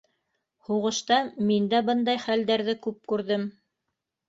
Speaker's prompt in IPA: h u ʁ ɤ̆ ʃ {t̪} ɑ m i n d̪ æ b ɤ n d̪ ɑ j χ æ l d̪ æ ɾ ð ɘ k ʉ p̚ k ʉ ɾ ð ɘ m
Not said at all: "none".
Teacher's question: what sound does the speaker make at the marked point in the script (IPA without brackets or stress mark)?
t̪